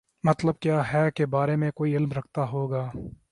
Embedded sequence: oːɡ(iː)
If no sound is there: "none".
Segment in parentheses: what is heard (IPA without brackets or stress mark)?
aː